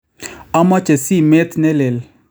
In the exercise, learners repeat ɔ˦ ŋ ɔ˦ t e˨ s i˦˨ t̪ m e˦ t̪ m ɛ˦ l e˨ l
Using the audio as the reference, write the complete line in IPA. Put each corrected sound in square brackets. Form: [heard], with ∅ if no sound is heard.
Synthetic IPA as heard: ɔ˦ [m] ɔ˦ [t͡ʃ] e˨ s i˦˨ [∅] m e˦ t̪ [n] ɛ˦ l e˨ l